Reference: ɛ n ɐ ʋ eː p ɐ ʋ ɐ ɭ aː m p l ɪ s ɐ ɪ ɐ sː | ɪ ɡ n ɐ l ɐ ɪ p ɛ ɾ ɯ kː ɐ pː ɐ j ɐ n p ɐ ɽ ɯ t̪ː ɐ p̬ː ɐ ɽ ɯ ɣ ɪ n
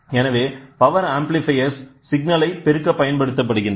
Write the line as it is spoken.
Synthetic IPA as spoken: ɛ n ɐ ʋ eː p ɐ ʋ ɐ ɾ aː m p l ɪ f ɐ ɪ ɐ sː | ɪ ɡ n ɐ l ɐ ɪ p ɛ ɾ ɯ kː ɐ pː ɐ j ɐ n p ɐ ɽ ɯ t̪ː ɐ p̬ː ɐ ɽ ɯ ɣ ɪ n

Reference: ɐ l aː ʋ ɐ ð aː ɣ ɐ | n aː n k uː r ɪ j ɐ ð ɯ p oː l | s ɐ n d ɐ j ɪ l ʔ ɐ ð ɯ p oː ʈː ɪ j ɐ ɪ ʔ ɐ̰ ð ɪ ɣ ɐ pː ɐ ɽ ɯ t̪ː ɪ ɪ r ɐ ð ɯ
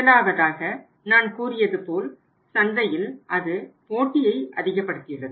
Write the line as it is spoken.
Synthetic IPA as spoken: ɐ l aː ʋ ɐ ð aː ɣ ɐ | n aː n k uː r ɪ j ɐ ð ɯ p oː l | s ɐ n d ɐ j ɪ l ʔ ɐ ð ɯ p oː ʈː ɪ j ɐ ɪ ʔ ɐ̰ ð ɪ ɣ ɐ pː ɐ ɽ ɯ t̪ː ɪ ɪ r ɐ ð ɯ

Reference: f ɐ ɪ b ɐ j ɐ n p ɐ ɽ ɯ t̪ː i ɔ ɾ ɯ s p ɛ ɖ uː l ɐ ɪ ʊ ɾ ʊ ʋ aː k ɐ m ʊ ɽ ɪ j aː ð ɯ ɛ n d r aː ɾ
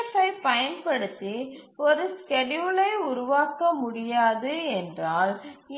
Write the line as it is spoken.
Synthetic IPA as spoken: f ɐ ɪ p ɐ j ɐ n p ɐ ɽ ɯ t̪ː i ɔ ɾ ɯ s k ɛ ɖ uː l ɐ ɪ ʊ ɾ ʊ ʋ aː k ɐ m ʊ ɽ ɪ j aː ð ɯ ɛ n d r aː l

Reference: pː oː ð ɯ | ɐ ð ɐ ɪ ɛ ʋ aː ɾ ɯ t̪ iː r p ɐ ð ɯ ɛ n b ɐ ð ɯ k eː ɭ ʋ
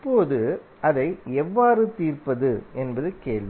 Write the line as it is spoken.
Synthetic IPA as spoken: pː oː ð ɯ | ɐ ð ɐ ɪ ɛ ʋː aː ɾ ɯ t̪ iː r p ɐ ð ɯ ɛ n b ɐ ð ɯ k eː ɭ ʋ

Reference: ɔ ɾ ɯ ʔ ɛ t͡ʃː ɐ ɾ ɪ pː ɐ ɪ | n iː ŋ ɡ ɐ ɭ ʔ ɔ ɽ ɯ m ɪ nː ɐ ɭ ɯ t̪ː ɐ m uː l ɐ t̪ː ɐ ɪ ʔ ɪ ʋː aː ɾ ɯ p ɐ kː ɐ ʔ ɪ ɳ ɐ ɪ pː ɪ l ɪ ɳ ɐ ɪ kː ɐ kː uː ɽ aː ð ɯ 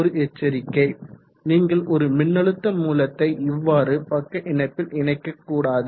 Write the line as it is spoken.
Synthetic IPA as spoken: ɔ ɾ ɯ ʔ ɛ t͡ʃː ɐ ɾ ɪ kː ɐ ɪ | n iː ŋ ɡ ɐ ɭ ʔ ɔ ɾ ɯ m ɪ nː ɐ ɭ ɯ t̪ː ɐ m uː l ɐ t̪ː ɐ ɪ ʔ ɪ ʋː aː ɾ ɯ p ɐ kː ɐ ʔ ɪ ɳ ɐ ɪ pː ɪ l ɪ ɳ ɐ ɪ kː ɐ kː uː ɽ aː ð ɯ

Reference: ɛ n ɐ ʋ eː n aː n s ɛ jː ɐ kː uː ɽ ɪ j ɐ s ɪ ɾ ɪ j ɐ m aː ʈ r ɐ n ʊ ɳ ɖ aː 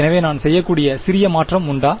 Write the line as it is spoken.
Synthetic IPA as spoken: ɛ n ɐ ʋ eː n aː n s ɛ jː ɐ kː uː ɽ ɪ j ɐ s ɪ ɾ ɪ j ɐ m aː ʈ r ɐ m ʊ ɳ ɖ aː

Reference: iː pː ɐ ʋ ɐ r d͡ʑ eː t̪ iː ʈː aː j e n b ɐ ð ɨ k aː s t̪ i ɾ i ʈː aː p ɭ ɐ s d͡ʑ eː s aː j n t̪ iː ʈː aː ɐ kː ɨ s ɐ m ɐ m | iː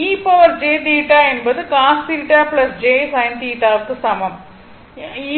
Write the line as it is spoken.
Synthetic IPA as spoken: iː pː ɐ ʋ ɐ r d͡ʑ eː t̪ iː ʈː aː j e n b ɐ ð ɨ k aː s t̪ i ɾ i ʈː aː p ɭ ɐ s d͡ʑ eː s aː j n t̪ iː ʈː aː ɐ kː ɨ s ɐ m ɐ m | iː

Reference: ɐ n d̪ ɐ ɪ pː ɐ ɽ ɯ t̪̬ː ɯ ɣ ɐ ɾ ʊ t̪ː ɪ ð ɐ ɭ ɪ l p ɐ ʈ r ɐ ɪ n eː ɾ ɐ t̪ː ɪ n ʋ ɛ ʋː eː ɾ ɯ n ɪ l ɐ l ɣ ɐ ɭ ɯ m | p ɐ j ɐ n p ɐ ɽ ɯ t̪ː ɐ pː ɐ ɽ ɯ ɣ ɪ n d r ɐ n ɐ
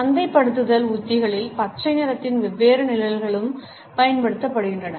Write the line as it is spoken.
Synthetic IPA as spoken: ɐ n d̪ ɐ ɪ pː ɐ ɽ ɯ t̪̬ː ɯ ð ɐ l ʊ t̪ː ɪ ɣ ɐ ɭ ɪ l p ɐ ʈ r ɐ ɪ n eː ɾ ɐ t̪ː ɪ n ʋ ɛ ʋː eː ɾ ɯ n ɪ l ɐ l ɣ ɐ ɭ ɯ m | p ɐ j ɐ n p ɐ ɽ ɯ t̪ː ɐ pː ɐ ɽ ɯ ɣ ɪ n d r ɐ n ɐ

